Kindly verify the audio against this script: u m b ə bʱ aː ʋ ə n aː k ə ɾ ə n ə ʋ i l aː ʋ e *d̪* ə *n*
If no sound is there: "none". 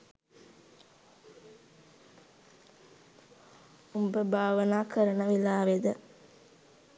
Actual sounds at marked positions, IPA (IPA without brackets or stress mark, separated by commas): d̪, none